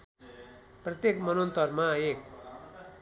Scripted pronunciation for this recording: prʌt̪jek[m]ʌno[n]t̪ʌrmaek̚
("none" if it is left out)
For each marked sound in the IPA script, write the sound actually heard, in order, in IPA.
m, n

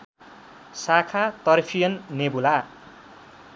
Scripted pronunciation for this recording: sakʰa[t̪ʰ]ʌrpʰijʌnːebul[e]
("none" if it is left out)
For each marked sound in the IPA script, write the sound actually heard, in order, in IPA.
t̪, a

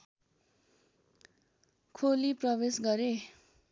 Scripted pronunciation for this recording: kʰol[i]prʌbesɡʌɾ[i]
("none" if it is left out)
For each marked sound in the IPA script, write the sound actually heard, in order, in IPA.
i, e

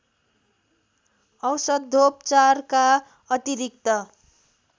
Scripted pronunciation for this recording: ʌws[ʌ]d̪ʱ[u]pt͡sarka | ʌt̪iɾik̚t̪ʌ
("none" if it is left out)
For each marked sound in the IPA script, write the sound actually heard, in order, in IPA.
ʌ, o

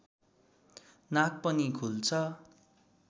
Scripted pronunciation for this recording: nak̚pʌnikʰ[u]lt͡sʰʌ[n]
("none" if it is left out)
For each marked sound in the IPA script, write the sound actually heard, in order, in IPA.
u, none

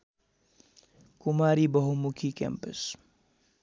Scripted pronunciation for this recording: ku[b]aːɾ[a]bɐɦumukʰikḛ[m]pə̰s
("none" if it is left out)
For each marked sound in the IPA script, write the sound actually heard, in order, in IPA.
m, i, m

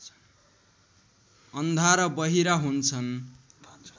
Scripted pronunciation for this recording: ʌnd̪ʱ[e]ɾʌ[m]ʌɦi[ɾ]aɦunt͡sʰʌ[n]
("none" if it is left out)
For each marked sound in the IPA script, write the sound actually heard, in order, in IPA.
a, b, ɾ, n

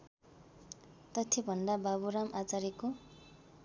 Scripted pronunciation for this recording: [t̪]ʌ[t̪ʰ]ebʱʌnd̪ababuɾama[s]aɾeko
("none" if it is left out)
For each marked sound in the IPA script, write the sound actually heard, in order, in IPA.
t̪, t̪ʰ, t͡s

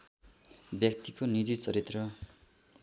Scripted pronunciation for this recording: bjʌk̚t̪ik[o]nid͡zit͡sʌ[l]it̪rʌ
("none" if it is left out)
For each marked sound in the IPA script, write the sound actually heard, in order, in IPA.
o, ɾ

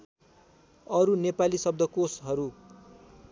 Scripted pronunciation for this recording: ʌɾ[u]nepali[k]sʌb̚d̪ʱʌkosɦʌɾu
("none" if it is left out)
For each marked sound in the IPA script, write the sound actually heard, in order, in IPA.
u, none

